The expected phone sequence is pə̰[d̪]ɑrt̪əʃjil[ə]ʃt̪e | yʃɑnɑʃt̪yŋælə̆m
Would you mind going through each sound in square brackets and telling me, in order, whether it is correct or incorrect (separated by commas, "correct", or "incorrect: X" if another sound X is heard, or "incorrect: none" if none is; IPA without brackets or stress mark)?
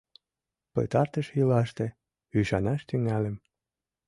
incorrect: t̪, incorrect: ɑ